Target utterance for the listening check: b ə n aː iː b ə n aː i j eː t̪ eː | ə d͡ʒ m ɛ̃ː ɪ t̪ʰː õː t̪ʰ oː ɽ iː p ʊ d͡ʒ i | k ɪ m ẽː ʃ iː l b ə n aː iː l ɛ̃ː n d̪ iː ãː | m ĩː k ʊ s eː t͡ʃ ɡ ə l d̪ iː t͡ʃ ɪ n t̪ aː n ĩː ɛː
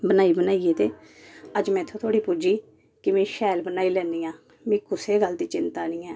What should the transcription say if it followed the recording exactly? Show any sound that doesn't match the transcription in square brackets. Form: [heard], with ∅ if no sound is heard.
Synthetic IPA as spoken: b ə n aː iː b ə n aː i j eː t̪ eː | ə d͡ʒ m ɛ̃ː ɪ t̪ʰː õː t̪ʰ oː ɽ iː p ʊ d͡ʒ [iː] | k ɪ m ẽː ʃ [ɛː] l b ə n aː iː l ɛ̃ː n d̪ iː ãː | m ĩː k ʊ s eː [∅] ɡ ə l d̪ iː t͡ʃ ɪ n t̪ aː n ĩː ɛː